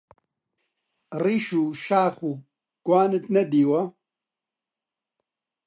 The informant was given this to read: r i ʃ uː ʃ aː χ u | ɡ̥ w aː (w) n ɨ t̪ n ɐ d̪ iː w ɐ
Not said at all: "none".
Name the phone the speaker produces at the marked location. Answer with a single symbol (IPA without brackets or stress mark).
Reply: none